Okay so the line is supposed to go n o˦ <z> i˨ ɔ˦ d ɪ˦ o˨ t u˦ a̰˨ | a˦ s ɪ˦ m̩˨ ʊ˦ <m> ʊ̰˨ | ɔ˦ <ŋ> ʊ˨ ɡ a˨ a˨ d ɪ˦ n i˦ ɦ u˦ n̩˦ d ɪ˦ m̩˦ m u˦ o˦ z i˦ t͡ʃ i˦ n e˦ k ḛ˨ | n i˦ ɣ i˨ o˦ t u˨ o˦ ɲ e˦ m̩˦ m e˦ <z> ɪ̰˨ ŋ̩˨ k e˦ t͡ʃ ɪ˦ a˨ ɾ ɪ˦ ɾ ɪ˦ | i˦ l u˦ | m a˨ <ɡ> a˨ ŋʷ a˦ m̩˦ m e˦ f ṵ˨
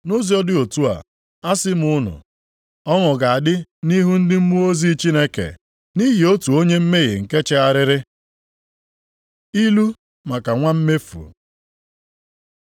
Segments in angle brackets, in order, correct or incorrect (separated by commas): correct, incorrect, correct, incorrect, incorrect